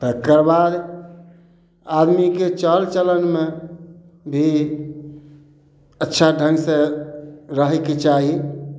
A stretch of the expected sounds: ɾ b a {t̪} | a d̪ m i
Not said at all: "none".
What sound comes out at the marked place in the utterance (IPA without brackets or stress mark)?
d̪